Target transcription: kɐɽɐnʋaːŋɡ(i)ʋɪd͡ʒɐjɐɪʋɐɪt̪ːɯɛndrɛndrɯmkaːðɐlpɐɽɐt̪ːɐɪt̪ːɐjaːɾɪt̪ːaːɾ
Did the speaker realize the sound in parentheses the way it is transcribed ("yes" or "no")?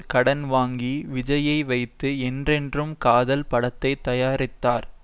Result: yes